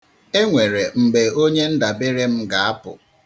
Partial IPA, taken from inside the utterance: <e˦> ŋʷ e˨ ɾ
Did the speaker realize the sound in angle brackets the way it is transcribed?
yes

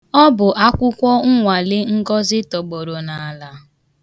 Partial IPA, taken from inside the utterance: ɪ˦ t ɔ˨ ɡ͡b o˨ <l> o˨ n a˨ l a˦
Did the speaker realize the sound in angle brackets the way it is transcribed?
no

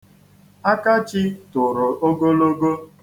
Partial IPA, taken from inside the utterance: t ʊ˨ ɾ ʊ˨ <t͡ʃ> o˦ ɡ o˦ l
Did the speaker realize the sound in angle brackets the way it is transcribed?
no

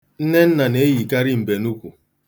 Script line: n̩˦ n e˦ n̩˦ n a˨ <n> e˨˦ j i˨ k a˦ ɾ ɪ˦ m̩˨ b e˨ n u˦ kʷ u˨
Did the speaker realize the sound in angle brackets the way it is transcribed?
yes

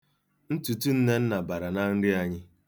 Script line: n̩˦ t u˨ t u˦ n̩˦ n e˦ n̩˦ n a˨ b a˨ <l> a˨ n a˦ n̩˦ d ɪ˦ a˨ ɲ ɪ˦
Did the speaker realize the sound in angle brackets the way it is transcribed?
no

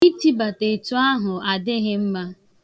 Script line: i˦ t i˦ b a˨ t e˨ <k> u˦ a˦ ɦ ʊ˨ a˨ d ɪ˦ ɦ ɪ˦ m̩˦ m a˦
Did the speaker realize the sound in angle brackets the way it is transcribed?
no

